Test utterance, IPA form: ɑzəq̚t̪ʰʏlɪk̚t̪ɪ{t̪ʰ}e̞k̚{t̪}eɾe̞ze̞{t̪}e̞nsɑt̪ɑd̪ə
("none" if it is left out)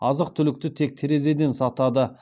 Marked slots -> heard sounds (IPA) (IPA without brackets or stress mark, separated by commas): t̪ʰ, t̪ʰ, d̪